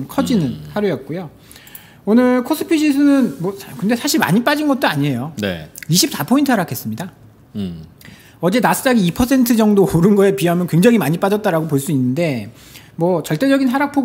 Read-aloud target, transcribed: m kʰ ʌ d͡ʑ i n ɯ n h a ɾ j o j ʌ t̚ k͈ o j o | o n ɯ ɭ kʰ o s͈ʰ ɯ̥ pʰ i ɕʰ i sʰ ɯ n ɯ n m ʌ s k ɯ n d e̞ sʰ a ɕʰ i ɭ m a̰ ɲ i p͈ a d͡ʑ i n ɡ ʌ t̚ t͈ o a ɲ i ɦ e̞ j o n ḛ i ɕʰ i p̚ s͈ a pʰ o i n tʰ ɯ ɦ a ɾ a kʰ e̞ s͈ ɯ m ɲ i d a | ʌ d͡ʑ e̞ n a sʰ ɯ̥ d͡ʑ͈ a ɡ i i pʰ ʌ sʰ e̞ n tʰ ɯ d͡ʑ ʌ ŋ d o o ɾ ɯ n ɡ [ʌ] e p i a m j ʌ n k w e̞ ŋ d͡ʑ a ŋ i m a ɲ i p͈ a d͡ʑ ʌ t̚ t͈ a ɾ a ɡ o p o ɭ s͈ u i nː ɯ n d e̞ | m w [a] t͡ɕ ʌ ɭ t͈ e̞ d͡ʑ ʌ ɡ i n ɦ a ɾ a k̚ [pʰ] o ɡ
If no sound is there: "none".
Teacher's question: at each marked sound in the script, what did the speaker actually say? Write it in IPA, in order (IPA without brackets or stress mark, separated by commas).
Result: ʌ, ʌ, pʰ